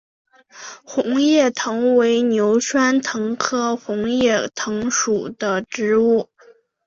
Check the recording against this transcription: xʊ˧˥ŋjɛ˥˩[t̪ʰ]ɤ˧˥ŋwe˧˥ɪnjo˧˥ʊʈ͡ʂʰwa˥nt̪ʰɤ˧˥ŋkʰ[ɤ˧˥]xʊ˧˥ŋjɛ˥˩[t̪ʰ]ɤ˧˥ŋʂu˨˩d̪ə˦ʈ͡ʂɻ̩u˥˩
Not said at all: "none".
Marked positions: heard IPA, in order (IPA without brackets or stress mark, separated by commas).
t̪ʰ, ɤ˥, t̪ʰ